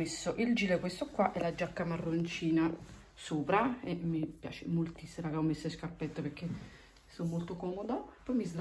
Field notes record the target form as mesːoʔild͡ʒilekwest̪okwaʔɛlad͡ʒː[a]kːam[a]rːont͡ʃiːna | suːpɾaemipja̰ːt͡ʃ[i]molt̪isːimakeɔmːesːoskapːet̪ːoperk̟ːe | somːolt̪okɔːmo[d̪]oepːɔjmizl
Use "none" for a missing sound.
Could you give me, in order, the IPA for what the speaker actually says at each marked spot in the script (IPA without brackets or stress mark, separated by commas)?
a, a, e, d̪